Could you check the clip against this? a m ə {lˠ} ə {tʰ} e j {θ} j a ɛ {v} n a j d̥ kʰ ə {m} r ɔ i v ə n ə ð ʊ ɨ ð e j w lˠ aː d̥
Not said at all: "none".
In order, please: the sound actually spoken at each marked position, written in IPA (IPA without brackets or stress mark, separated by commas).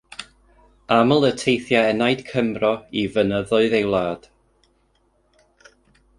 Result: lˠ, tʰ, θ, none, m